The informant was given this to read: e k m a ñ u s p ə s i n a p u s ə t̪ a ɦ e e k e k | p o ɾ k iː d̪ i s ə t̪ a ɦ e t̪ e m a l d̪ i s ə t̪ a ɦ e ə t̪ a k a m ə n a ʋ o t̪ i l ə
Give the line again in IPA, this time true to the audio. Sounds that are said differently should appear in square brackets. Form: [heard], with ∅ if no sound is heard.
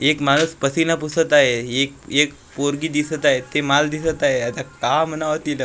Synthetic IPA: e k m a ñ u s p ə s i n a p u s ə t̪ a ɦ e e k e k | p o ɾ [ɡ] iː d̪ i s ə t̪ a ɦ e t̪ e m a l d̪ i s ə t̪ a ɦ e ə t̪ a k a m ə n a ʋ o t̪ i l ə